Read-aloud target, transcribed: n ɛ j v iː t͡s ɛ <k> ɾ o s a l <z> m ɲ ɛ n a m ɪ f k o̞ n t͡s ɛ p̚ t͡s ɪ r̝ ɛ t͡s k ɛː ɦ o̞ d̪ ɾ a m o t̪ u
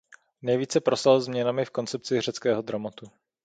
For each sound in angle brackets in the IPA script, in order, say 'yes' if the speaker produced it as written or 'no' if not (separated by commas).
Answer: no, yes